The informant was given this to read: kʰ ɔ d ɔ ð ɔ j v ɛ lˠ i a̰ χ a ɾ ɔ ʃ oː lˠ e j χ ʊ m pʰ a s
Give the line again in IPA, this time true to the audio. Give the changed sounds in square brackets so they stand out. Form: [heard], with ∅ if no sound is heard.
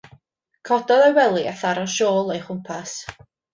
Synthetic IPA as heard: kʰ ɔ d ɔ ð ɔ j [w] ɛ lˠ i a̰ [θ] a ɾ ɔ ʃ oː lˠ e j χ ʊ m pʰ a s